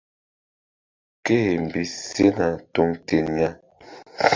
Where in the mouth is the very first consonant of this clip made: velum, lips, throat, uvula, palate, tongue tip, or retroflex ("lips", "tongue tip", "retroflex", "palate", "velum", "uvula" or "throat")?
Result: velum